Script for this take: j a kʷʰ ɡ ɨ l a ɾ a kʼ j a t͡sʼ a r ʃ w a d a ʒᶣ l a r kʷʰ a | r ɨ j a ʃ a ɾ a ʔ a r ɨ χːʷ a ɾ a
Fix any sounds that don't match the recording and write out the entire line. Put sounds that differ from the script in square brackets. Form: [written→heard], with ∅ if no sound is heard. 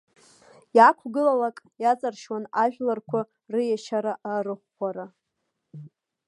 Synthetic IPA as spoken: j a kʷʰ ɡ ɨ l a [ɾ→l] a kʼ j a t͡sʼ a r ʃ w a [d→n] a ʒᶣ l a r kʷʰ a | r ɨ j a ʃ a ɾ a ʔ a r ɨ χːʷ a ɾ a